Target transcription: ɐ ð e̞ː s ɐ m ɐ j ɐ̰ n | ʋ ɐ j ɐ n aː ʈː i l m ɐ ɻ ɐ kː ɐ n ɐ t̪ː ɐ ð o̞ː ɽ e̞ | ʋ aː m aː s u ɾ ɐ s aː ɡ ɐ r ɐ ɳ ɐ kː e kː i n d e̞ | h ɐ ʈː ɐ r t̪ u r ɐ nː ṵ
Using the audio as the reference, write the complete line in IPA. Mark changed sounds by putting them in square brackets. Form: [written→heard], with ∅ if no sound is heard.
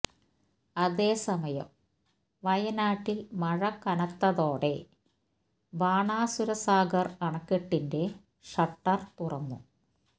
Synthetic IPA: ɐ ð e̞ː s ɐ m ɐ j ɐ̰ [n→m] | ʋ ɐ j ɐ n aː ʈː i l m ɐ ɻ ɐ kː ɐ n ɐ t̪ː ɐ ð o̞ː ɽ e̞ | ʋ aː [m→ɳ] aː s u ɾ ɐ s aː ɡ ɐ r ɐ ɳ ɐ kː e [kː→ʈː] i n d e̞ | [h→ʂ] ɐ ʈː ɐ r t̪ u r ɐ nː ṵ